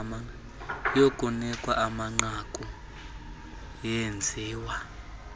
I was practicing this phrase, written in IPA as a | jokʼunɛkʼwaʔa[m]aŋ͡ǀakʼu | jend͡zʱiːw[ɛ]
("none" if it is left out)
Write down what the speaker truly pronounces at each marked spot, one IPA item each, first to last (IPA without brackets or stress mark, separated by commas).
m, a